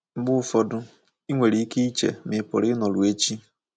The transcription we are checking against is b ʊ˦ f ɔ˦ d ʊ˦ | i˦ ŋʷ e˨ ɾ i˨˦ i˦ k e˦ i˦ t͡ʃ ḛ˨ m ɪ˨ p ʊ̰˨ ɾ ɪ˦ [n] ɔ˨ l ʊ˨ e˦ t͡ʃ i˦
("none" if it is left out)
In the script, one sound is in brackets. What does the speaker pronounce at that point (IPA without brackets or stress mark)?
n